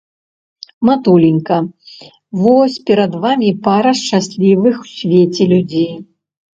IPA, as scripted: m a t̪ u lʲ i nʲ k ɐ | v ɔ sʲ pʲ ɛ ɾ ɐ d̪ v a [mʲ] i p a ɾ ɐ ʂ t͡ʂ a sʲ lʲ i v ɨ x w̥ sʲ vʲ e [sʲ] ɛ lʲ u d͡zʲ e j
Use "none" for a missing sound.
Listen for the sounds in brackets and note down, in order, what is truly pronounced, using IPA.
mʲ, t͡sʲ

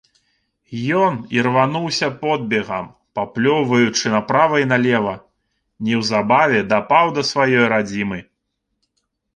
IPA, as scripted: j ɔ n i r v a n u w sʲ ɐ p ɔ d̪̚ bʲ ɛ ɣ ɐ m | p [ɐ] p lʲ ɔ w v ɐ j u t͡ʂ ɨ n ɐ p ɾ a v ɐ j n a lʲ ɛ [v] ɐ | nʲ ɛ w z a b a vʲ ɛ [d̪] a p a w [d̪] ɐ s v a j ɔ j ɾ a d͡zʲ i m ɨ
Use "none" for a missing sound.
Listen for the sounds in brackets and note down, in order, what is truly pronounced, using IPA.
a, v, d̪, d̪

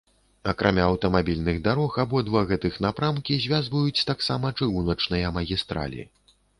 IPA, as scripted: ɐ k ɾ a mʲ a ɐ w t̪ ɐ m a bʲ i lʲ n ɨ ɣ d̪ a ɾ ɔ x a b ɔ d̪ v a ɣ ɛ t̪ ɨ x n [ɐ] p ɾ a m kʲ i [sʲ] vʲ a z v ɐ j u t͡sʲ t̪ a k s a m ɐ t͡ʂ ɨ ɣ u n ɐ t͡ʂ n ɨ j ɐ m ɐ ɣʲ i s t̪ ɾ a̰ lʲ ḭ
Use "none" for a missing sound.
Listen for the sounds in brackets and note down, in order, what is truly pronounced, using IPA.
a, zʲ

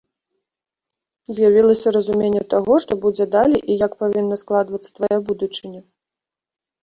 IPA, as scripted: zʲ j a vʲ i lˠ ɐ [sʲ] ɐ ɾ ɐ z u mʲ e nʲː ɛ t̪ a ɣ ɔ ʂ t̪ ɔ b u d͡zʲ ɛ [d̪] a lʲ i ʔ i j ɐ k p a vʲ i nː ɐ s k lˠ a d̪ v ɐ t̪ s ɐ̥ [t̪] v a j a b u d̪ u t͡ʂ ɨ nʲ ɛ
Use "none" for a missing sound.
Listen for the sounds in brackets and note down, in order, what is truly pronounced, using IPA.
sʲ, d̪, t̪

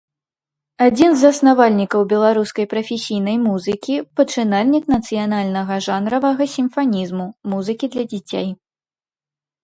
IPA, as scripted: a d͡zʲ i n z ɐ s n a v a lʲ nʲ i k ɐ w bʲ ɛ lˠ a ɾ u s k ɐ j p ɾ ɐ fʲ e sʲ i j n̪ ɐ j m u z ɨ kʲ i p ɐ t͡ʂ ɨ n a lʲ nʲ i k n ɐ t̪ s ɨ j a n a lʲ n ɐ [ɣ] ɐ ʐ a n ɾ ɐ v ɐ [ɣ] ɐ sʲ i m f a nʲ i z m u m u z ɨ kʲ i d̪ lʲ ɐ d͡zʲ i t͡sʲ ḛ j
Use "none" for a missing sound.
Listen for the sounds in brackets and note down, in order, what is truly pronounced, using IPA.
ɣ, ɣ

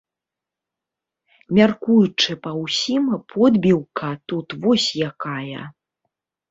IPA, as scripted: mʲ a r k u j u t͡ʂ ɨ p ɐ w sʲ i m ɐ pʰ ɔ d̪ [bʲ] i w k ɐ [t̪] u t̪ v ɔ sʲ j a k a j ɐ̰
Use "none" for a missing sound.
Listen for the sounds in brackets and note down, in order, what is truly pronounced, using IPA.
bʲ, t̪

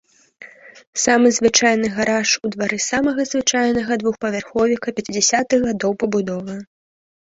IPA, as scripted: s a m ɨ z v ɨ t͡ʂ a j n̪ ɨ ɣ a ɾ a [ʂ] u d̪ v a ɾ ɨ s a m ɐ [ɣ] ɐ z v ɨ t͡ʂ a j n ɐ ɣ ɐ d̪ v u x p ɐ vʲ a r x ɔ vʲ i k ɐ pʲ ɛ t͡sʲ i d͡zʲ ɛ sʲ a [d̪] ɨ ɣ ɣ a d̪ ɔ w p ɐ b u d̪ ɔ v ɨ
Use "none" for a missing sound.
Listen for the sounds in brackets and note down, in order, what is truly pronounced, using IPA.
ʂ, ɣ, t̪

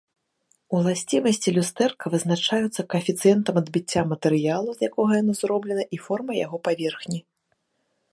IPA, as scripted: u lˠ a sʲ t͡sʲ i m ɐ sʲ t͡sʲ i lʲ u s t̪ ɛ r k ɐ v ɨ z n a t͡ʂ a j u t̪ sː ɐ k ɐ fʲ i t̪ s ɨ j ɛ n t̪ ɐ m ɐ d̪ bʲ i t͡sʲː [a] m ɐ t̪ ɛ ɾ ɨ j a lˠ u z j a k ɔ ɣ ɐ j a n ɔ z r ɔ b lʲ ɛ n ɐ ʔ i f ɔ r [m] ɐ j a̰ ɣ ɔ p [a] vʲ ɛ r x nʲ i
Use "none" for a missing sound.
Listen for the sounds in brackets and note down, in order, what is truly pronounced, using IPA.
a, m, a

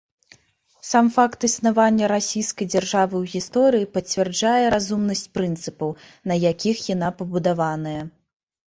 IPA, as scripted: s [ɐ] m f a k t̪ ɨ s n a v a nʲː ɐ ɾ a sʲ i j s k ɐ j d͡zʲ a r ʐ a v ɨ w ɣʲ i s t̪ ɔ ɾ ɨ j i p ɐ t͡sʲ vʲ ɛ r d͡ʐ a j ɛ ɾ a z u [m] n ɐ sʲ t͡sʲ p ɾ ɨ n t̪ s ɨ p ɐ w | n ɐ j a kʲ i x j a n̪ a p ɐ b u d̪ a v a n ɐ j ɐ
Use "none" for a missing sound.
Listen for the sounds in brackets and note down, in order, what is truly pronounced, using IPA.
a, m

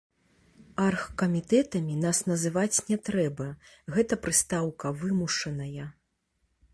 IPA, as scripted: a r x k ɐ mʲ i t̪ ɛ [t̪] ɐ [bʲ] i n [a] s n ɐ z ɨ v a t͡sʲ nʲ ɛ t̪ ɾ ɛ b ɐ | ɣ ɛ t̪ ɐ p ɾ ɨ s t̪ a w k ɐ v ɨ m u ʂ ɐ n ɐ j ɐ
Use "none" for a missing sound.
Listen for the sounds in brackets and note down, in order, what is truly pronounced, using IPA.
t̪, mʲ, a

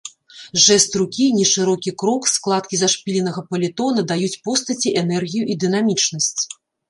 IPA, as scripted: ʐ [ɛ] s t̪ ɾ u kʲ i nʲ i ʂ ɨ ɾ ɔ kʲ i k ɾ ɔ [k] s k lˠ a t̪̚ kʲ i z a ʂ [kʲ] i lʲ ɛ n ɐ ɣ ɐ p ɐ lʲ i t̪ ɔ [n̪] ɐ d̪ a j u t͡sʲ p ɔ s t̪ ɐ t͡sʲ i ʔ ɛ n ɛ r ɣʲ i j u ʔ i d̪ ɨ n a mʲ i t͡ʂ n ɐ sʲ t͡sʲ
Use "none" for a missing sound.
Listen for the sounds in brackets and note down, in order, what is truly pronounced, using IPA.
ɛ, k, pʲ, n̪

